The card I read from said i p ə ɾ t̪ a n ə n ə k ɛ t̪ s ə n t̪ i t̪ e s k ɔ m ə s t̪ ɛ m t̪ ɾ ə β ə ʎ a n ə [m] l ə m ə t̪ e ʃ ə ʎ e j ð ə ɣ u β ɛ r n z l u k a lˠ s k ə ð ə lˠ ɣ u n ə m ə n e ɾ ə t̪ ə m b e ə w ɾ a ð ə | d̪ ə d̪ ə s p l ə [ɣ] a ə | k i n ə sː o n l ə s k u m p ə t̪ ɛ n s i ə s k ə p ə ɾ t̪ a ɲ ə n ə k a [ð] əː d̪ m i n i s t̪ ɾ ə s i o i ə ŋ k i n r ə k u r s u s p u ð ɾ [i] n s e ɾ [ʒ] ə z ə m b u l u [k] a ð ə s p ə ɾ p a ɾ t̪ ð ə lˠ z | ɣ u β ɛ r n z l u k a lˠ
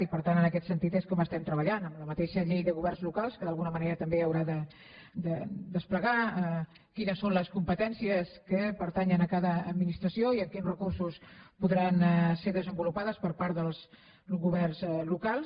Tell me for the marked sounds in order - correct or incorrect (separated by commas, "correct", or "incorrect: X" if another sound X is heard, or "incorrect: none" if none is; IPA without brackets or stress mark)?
correct, correct, correct, incorrect: a, incorrect: ð, incorrect: p